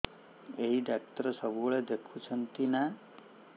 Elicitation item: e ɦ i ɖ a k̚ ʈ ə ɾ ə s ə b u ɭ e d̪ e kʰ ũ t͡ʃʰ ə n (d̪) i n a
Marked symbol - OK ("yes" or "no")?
no